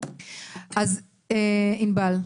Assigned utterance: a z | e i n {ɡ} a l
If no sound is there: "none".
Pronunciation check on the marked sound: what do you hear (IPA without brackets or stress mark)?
b